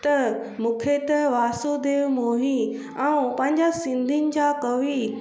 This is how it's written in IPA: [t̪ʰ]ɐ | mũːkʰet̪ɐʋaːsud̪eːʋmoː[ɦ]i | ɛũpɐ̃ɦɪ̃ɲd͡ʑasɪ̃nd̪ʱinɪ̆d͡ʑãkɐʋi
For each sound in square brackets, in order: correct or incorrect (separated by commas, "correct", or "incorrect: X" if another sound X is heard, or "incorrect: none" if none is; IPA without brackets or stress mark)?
incorrect: t̪, correct